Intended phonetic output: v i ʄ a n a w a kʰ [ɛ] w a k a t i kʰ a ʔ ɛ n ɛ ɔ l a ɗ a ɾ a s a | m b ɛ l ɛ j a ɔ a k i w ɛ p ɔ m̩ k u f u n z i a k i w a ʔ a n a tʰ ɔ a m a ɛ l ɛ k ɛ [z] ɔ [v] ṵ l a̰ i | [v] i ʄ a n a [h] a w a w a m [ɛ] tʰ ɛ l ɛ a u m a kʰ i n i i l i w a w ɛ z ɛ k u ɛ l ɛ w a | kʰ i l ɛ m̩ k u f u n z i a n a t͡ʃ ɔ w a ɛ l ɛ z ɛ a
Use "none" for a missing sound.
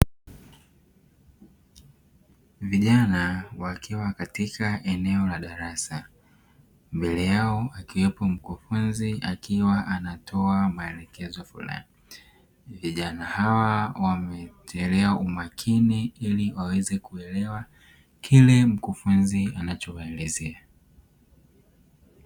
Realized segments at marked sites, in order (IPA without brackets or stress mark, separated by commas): i, z, f, v, h, ɛ